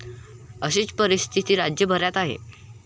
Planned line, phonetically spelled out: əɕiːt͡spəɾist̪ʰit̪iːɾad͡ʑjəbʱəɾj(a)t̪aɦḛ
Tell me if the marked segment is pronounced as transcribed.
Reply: yes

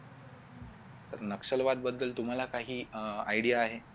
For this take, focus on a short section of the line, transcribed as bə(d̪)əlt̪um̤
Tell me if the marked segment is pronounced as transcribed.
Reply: no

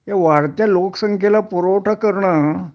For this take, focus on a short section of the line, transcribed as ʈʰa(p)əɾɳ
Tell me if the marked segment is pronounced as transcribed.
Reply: no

